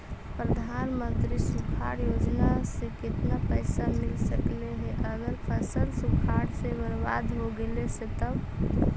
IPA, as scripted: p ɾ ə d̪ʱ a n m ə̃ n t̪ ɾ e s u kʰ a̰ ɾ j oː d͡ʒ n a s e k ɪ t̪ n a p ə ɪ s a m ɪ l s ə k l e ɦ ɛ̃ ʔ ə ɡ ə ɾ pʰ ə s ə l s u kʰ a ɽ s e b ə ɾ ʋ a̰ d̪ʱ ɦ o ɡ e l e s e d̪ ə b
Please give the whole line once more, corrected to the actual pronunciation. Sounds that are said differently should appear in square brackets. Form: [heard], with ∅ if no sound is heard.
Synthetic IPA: p ɾ ə d̪ʱ a n m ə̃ n t̪ ɾ [i] s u kʰ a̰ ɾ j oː d͡ʒ n a s e k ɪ t̪ n a p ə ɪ s a m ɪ l s ə k l e ɦ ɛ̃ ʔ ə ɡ ə ɾ pʰ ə s ə l s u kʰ a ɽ s e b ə ɾ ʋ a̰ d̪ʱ ɦ o ɡ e l e s e [t̪] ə b